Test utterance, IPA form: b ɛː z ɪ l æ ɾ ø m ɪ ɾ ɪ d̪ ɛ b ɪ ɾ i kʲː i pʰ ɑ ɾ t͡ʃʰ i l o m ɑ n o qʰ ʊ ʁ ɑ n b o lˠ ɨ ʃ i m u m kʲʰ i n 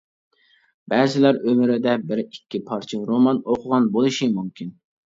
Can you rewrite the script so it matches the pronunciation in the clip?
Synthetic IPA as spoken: b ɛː z ɪ l æ ɾ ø m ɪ ɾ ɪ d̪ ɛ b ɪ ɾ i kʲː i pʰ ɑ ɾ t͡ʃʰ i ɾ o m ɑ n o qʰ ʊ ʁ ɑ n b o lˠ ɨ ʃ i m u m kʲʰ i n